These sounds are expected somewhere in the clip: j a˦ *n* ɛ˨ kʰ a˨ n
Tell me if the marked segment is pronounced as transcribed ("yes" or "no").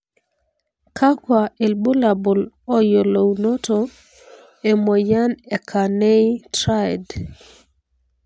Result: yes